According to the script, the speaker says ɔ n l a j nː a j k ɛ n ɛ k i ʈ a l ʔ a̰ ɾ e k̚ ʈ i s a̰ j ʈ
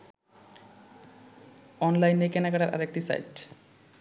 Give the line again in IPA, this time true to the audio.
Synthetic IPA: ɔ n l a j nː e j k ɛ n a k a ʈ a ɾ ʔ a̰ ɾ e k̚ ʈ i s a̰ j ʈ